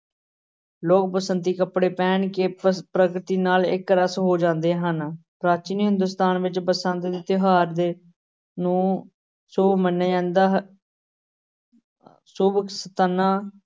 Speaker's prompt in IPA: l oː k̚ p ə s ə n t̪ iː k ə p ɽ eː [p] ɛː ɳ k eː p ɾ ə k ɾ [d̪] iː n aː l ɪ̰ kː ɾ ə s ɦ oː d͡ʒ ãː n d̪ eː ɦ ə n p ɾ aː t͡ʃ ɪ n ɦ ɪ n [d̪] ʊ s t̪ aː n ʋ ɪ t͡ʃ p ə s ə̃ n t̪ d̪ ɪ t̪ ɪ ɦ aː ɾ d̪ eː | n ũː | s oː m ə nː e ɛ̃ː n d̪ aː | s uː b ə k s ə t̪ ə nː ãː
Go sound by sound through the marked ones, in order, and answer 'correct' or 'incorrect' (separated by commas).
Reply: correct, incorrect, correct